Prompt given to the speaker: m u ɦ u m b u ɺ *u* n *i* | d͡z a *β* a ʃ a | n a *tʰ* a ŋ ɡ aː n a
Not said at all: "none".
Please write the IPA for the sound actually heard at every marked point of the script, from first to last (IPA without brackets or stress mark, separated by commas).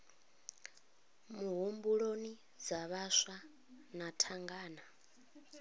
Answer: o, i, β, tʰ